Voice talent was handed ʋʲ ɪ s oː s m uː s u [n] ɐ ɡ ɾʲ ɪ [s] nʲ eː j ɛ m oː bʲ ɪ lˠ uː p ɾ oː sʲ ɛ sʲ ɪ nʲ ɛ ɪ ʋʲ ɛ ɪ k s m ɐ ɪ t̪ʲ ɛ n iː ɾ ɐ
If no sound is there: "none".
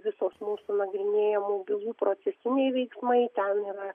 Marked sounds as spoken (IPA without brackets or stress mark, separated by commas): n, none